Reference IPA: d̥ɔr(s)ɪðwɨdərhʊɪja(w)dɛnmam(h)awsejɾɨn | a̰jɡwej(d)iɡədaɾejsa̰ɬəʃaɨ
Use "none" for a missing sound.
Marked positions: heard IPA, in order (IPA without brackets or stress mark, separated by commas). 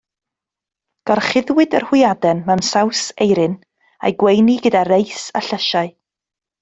χ, none, s, n